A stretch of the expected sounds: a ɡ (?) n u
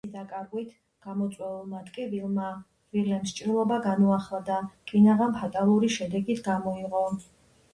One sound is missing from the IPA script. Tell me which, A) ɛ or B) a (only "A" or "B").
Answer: B